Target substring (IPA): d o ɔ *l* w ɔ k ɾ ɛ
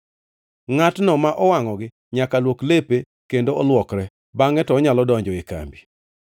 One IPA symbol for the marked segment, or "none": l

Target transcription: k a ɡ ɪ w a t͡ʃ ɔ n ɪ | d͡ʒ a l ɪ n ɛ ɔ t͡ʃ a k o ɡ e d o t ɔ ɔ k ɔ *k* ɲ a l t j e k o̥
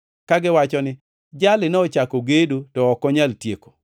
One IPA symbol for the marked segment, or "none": none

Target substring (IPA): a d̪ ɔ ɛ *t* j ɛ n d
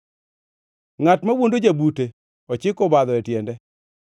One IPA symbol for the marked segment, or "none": t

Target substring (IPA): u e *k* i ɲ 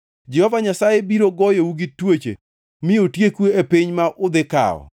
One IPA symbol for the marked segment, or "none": p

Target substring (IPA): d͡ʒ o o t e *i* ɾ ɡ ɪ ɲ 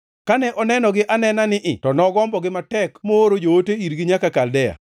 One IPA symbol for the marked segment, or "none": i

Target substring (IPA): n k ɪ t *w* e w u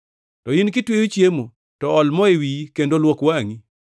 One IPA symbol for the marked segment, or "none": w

